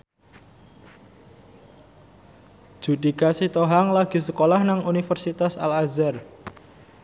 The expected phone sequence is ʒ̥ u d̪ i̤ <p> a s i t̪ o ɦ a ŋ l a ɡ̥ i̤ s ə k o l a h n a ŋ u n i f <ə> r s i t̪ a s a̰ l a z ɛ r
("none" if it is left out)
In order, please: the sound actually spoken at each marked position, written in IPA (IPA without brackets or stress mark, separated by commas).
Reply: k, ə